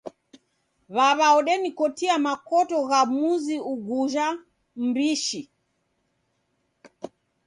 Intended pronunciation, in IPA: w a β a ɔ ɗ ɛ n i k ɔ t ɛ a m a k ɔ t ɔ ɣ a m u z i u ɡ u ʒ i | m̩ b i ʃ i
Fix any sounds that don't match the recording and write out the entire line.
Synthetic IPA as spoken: β a β a ɔ ɗ ɛ n i k ɔ t i a m a k ɔ t ɔ ɣ a m u z i u ɡ u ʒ a | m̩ b i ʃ i